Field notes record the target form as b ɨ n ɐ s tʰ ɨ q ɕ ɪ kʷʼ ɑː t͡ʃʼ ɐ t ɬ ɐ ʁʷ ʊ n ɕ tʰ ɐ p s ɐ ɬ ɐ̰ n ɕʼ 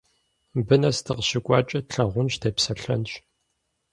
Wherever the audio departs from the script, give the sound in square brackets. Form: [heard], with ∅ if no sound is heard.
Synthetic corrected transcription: b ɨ n ɐ s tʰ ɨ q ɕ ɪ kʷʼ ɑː t͡ʃʼ ɐ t ɬ ɐ ʁʷ ʊ n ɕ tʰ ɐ p s ɐ ɬ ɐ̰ n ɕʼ